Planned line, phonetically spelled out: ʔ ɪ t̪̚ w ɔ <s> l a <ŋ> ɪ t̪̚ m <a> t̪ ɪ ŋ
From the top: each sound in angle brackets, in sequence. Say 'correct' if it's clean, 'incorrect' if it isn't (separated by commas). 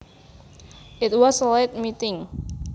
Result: correct, incorrect, incorrect